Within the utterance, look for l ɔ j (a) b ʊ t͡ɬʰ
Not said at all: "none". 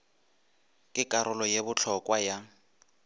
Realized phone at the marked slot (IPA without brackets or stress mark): e